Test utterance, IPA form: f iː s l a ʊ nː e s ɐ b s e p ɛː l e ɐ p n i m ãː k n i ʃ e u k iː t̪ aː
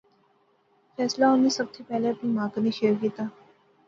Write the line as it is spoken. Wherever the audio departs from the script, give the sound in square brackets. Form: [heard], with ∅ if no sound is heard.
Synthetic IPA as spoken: f [ɛː] s l a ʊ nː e s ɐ b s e p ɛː l e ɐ p n i m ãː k n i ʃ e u k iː t̪ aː